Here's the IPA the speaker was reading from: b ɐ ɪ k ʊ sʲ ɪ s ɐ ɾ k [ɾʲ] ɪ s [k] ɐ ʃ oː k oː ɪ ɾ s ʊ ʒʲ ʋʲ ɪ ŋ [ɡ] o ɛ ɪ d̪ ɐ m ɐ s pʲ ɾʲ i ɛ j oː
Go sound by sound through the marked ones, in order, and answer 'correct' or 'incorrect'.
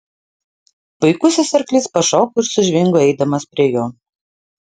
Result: incorrect: lʲ, incorrect: p, correct

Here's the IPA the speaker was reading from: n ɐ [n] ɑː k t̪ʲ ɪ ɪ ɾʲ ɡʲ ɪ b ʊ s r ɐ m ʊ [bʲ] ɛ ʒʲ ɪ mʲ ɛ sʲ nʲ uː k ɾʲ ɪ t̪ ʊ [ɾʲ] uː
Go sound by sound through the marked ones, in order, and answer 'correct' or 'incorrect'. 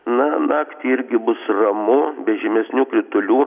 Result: correct, correct, incorrect: lʲ

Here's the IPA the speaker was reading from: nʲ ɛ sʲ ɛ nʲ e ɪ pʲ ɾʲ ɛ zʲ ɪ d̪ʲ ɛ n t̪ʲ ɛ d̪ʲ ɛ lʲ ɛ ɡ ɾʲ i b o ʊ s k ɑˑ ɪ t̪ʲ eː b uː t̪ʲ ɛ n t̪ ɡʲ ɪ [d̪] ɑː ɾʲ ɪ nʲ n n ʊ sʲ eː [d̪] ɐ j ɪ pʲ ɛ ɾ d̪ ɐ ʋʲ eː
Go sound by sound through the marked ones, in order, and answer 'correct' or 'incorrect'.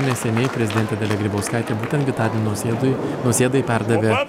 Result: incorrect: t̪, correct

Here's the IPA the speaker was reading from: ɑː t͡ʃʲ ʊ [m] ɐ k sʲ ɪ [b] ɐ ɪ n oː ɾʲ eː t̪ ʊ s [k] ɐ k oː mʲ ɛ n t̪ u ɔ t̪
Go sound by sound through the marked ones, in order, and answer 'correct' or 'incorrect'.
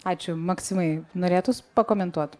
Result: correct, incorrect: m, incorrect: p

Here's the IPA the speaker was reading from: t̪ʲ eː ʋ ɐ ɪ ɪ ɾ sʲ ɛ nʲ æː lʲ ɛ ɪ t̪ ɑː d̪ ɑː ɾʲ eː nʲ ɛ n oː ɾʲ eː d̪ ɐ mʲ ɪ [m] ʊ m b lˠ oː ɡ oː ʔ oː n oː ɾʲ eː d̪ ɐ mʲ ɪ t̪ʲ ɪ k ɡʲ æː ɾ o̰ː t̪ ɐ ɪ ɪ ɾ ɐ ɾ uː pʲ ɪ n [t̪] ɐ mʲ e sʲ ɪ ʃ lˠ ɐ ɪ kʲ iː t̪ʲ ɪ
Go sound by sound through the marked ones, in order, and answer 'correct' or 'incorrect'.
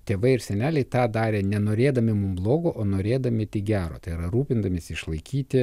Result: correct, incorrect: d̪

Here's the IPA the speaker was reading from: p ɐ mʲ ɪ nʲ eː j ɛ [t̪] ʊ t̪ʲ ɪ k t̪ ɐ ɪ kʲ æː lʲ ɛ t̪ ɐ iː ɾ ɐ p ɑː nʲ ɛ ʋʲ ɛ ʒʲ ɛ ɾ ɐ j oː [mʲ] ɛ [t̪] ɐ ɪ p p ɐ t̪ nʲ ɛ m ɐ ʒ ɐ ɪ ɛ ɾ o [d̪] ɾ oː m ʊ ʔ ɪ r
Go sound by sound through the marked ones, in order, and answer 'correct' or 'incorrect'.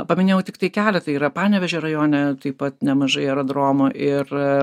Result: incorrect: none, incorrect: nʲ, correct, correct

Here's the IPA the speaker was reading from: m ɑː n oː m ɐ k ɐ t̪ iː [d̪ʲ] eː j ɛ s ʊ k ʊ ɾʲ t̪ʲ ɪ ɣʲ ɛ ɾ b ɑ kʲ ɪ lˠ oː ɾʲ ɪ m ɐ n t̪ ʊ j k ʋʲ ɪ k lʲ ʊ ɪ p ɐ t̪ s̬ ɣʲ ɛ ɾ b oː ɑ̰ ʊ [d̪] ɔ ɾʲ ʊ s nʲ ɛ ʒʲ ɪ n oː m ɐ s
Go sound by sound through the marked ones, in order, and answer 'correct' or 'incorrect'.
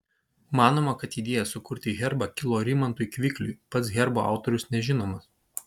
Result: correct, incorrect: t̪

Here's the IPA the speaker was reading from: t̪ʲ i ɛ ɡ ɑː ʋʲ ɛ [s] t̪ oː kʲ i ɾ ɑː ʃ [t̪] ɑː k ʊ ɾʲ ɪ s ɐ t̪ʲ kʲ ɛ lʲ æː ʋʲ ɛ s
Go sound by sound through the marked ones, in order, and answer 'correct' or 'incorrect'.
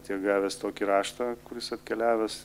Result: correct, correct

